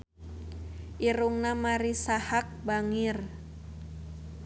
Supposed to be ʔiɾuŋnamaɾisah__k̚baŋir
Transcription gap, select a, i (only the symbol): a